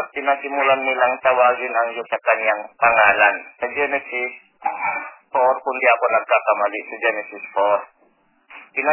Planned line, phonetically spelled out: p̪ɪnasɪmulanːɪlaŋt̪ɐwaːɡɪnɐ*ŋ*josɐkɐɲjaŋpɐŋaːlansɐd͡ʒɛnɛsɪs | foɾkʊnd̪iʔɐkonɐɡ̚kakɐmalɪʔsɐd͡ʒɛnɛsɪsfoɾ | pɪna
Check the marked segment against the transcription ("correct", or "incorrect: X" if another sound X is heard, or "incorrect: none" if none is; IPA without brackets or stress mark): correct